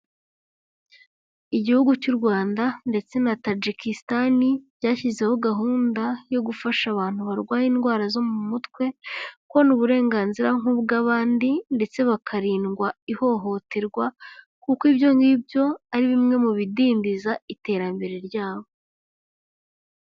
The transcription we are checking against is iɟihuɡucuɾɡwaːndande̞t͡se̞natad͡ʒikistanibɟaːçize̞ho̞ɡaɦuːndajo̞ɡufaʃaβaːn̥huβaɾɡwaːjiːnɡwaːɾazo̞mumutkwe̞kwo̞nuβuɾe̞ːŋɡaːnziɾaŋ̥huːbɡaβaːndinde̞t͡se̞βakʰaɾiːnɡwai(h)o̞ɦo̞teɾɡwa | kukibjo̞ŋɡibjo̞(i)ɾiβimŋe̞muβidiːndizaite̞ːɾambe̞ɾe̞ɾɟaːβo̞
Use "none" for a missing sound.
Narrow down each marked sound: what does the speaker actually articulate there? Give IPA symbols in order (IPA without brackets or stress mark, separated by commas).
h, a